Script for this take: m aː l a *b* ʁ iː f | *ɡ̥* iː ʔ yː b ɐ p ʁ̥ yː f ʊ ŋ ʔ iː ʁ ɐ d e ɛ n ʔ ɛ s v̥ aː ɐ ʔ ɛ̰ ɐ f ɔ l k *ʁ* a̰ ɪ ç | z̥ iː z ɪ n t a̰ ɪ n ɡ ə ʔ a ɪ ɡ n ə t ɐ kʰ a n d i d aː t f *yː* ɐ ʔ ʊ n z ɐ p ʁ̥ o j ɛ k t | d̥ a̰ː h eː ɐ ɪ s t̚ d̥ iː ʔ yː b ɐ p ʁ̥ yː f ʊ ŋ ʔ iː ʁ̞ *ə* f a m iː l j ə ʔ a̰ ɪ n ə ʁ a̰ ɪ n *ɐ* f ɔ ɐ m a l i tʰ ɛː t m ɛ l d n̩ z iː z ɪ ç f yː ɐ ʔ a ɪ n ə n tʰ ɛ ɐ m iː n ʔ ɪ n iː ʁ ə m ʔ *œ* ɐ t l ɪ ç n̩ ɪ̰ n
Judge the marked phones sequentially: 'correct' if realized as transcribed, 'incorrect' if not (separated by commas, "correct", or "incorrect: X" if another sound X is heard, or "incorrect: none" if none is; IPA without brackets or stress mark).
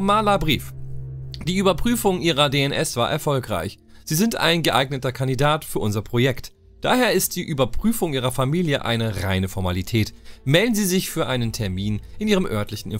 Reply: correct, incorrect: d̥, correct, correct, incorrect: ɐ, incorrect: ə, correct